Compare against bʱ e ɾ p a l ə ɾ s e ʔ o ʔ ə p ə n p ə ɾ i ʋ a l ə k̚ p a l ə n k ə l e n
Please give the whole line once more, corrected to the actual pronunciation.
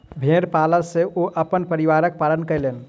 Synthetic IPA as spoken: bʱ e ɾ p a l ə ɾ s e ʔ o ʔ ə p ə n p ə ɾ i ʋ a ɾ ə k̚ p a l ə n k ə l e n